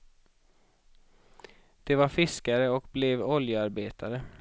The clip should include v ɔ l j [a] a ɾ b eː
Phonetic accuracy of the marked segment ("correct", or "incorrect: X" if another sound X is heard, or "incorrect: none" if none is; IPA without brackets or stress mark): incorrect: ə